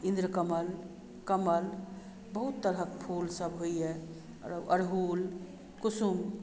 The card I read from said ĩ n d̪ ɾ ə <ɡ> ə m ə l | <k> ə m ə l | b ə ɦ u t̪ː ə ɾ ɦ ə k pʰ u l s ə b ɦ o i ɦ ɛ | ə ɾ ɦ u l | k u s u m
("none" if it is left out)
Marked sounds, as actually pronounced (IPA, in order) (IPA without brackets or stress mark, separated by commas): k, k